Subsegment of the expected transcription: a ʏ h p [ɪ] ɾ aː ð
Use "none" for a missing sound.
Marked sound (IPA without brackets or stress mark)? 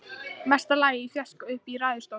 i